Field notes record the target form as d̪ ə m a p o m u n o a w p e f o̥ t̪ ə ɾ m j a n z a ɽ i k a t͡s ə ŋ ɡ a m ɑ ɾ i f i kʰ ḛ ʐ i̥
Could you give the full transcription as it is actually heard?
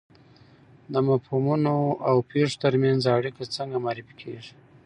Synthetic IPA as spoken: d̪ ə m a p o m u n o a w p e ʂ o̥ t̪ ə ɾ m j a n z a ɽ i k a t͡s ə ŋ ɡ a m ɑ ɾ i f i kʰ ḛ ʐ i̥